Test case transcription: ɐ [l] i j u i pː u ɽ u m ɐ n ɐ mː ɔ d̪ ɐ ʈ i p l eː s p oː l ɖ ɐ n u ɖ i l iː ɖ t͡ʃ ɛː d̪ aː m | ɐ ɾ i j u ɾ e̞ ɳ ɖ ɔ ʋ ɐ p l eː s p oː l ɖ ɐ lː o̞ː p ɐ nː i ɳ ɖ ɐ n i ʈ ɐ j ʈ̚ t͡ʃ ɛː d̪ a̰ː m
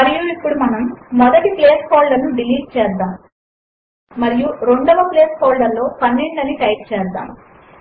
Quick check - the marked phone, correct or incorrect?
incorrect